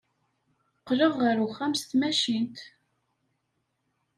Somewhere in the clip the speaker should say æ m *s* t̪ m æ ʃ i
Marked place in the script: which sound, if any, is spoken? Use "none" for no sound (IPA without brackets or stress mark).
s